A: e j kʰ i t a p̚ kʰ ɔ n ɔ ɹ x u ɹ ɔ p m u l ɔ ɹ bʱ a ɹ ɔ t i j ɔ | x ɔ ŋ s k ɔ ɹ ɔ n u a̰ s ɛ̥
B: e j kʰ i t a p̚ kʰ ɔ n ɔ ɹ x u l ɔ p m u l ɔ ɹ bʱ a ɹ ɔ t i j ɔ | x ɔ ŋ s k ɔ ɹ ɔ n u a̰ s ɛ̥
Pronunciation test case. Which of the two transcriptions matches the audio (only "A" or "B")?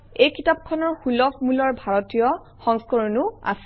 B